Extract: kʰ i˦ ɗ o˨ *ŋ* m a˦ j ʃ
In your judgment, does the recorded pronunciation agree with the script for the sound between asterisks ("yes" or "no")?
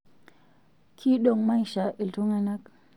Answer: yes